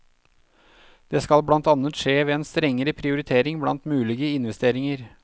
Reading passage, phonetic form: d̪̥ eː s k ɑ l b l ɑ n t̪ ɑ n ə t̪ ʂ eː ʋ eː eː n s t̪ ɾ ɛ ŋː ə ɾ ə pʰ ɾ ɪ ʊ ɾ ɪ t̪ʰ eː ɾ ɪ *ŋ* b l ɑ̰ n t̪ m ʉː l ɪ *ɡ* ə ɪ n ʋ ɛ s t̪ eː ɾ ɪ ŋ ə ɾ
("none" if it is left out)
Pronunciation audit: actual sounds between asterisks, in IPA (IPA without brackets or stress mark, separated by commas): ŋ, ɡ